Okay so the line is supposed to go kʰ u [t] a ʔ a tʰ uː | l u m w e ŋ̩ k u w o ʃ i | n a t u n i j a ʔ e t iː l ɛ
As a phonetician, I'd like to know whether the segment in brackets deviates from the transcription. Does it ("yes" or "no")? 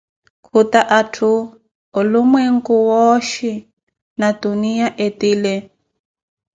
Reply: no